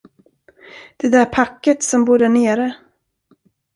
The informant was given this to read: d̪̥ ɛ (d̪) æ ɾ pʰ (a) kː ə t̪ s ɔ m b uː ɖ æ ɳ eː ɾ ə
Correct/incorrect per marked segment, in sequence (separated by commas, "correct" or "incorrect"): correct, correct